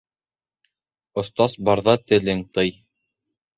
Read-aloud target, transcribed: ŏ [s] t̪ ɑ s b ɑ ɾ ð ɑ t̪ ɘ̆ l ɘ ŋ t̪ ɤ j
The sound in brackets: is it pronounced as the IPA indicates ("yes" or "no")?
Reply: yes